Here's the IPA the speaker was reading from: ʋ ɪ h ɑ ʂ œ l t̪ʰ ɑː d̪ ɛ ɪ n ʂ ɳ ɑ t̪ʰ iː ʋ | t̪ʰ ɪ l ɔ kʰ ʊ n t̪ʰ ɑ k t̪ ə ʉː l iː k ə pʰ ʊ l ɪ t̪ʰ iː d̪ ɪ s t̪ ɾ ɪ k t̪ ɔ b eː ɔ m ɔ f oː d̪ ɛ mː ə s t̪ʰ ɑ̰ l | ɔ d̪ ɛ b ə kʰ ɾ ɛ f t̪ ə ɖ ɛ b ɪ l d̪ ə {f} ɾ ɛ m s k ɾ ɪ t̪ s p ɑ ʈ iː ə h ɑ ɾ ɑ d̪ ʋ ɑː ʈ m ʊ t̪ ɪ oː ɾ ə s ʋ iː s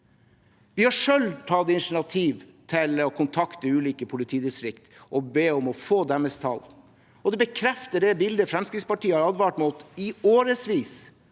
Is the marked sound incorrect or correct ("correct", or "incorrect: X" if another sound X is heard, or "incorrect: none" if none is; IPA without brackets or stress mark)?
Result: correct